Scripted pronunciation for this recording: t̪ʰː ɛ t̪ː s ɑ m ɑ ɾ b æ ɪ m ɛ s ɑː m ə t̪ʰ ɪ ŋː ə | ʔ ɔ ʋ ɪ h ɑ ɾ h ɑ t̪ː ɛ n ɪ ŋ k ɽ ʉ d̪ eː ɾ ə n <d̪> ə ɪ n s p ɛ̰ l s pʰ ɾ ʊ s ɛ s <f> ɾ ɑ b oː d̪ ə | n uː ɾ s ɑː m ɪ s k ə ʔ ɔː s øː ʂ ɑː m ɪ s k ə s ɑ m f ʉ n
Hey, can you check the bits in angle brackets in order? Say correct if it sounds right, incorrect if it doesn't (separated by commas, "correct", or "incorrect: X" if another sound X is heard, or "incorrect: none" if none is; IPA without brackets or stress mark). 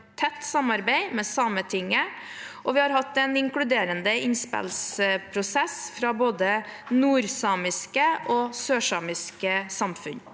correct, correct